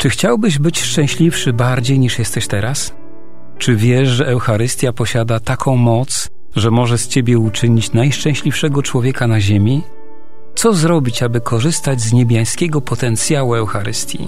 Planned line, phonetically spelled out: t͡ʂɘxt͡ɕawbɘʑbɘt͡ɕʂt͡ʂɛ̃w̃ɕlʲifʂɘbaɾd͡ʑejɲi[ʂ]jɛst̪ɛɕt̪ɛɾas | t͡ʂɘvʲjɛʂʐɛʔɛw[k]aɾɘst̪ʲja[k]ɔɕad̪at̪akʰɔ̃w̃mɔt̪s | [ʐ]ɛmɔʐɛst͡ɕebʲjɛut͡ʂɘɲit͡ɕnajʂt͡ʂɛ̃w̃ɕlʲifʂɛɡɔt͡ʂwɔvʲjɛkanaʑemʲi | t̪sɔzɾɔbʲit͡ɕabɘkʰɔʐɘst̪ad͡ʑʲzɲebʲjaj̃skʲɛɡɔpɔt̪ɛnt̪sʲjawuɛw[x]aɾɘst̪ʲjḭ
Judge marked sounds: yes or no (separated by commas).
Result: yes, no, no, yes, yes